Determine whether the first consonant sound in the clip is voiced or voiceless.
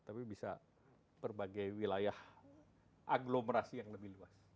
voiceless